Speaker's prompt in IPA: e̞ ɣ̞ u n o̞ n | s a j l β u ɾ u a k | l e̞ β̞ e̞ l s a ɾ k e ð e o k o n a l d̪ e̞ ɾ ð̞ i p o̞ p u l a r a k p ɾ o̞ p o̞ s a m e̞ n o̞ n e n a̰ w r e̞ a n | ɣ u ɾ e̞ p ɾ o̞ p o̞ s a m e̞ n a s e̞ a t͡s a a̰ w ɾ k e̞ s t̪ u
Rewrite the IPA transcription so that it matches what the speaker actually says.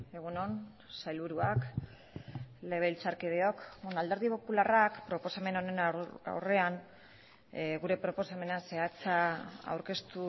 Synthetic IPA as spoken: e̞ ɣ̞ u n o̞ n | s a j l β u ɾ u a k | l e̞ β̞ e̞ l t͡s a ɾ k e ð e o k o n a l d̪ e̞ ɾ ð̞ i p o̞ p u l a r a k p ɾ o̞ p o̞ s a m e̞ n o̞ n e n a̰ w r e̞ a n | ɣ u ɾ e̞ p ɾ o̞ p o̞ s a m e̞ n a s e̞ a t͡s a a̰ w ɾ k e̞ s t̪ u